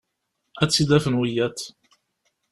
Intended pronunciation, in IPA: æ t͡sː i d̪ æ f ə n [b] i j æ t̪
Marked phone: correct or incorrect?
incorrect